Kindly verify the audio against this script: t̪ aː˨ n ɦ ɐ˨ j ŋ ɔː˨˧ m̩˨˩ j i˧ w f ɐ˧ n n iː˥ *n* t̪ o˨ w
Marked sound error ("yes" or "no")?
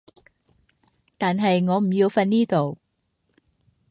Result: yes